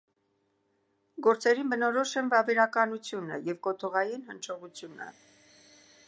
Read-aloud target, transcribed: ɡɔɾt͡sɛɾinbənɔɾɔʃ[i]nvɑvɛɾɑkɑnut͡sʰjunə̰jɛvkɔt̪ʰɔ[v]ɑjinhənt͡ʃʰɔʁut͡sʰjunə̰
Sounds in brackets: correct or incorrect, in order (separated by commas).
incorrect, incorrect